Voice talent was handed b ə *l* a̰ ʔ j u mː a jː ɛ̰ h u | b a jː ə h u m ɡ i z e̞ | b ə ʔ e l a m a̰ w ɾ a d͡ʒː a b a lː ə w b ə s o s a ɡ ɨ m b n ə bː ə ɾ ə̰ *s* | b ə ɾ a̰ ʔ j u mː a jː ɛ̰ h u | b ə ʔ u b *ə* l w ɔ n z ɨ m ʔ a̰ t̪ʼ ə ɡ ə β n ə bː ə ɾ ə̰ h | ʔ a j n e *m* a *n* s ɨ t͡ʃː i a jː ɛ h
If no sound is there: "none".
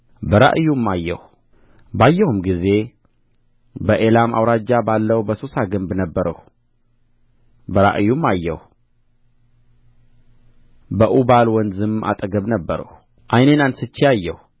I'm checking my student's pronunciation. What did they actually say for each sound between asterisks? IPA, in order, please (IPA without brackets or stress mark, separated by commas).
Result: ɾ, h, a, n, n